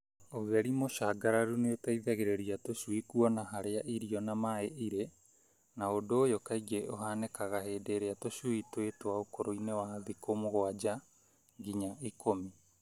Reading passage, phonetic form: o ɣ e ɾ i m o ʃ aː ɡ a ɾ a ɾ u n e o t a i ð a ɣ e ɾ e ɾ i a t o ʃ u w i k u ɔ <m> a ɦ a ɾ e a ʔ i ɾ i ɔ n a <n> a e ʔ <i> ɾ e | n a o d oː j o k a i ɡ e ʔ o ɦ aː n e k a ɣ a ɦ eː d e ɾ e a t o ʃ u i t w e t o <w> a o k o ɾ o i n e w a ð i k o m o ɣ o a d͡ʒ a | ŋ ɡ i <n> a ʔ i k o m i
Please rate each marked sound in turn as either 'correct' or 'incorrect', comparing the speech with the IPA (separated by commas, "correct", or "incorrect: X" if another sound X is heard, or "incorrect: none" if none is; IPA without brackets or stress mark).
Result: incorrect: n, incorrect: m, correct, correct, incorrect: ɲ